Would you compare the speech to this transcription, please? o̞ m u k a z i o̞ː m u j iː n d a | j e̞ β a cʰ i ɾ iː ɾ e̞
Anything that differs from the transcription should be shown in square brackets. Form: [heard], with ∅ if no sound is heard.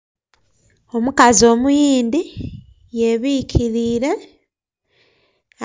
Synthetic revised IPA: o̞ m u k a z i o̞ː m u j iː n d [i] | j e̞ β [i] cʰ i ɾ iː ɾ e̞